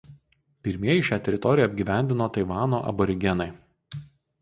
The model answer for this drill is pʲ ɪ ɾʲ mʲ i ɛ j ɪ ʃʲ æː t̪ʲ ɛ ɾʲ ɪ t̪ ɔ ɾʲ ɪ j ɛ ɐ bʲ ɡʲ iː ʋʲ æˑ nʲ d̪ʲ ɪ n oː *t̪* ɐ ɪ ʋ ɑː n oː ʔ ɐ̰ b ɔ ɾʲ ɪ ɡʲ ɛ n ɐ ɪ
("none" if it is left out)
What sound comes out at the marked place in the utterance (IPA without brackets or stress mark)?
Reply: t̪